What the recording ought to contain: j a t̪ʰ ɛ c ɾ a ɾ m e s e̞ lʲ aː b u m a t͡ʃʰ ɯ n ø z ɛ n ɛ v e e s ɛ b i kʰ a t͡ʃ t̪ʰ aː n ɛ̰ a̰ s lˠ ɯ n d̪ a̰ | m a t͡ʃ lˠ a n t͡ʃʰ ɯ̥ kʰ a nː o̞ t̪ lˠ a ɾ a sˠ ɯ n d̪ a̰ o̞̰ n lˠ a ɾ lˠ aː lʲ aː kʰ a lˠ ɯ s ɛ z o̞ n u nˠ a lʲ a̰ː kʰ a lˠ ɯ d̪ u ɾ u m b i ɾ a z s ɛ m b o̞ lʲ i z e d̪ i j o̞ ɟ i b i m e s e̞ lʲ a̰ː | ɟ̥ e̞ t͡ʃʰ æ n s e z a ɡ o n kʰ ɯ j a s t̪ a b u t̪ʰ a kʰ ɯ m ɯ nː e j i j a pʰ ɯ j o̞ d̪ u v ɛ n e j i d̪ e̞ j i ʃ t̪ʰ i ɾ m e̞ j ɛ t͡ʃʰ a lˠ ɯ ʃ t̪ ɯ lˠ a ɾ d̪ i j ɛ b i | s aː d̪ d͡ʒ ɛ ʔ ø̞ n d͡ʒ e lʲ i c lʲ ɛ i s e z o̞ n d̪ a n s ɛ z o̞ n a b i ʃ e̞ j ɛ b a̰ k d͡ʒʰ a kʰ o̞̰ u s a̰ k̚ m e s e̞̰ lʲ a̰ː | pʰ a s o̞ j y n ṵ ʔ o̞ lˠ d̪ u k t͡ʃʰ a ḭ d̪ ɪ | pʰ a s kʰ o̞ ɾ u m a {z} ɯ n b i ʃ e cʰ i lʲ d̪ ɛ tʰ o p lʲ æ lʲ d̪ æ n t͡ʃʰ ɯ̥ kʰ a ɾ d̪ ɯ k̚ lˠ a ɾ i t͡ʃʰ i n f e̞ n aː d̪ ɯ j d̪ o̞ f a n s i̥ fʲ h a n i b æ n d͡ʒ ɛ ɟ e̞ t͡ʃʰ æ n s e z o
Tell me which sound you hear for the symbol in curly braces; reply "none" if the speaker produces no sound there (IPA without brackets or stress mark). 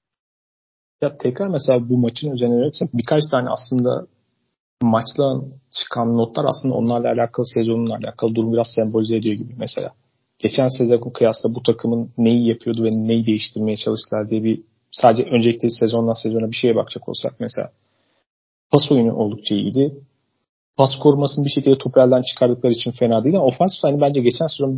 s